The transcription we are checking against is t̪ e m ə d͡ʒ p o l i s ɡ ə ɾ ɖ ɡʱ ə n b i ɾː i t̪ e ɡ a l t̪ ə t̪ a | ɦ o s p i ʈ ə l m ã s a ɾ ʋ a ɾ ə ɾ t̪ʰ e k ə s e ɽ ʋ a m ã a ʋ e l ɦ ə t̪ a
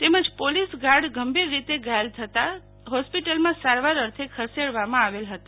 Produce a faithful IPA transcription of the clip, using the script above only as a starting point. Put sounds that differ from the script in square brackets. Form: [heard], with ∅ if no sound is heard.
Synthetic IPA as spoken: t̪ e m ə d͡ʒ p o l i s ɡ [a] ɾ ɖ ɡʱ ə [m] b i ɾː i t̪ e ɡ a l [t̪ʰ] ə t̪ a | ɦ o s p i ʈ ə l m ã s a ɾ ʋ a ɾ ə ɾ t̪ʰ e [kʰ] ə s e ɽ ʋ a m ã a ʋ e l ɦ ə t̪ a